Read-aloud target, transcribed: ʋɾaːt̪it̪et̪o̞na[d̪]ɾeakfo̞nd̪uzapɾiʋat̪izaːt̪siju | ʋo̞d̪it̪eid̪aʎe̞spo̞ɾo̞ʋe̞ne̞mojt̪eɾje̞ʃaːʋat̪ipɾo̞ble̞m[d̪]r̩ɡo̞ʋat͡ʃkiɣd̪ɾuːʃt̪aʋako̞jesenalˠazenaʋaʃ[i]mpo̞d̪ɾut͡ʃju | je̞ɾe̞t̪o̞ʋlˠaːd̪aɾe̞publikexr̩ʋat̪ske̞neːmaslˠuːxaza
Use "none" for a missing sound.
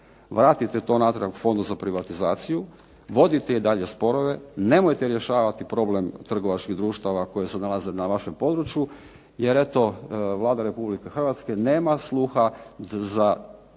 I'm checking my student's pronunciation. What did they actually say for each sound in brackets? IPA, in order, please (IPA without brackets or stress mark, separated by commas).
t̪, t̪, e